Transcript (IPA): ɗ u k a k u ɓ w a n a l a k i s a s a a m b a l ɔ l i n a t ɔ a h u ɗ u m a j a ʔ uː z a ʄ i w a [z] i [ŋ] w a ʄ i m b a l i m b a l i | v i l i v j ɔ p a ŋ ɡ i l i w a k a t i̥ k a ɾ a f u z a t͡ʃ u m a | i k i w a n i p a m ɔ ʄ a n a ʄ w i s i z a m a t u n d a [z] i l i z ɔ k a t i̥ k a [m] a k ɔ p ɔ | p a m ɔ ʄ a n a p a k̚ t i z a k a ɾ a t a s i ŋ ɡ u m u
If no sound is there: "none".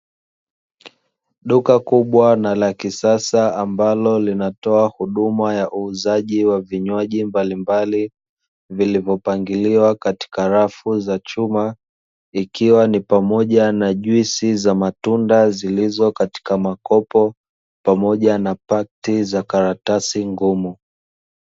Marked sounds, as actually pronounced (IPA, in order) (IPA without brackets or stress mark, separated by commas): v, ɲ, z, m